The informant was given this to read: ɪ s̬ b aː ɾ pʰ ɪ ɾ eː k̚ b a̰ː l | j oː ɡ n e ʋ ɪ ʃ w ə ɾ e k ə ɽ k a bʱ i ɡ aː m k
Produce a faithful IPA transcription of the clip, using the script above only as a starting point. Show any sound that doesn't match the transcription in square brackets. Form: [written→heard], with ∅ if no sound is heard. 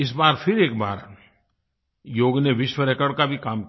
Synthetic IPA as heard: ɪ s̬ b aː ɾ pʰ ɪ ɾ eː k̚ b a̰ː [l→ɾ] | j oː ɡ n e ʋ ɪ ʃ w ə ɾ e k ə ɽ k a bʱ i [ɡ→k] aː m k